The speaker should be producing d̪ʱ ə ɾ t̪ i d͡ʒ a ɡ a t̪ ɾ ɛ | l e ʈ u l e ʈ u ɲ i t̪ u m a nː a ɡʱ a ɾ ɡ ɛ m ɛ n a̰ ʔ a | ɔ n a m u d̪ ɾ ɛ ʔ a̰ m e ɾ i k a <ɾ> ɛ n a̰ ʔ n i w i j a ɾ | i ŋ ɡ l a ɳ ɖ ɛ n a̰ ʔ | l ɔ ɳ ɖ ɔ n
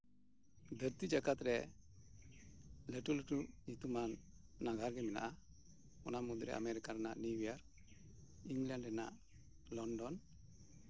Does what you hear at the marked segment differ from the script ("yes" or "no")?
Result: no